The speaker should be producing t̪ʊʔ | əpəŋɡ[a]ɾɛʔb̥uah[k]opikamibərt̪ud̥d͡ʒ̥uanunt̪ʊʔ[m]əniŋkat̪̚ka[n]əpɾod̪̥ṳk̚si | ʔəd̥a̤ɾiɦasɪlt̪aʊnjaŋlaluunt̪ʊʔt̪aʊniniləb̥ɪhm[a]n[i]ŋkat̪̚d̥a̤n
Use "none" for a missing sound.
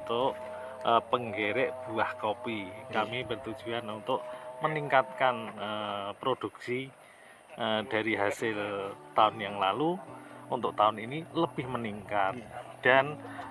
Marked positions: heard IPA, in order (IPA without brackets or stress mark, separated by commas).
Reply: e, k, m, n, ə, i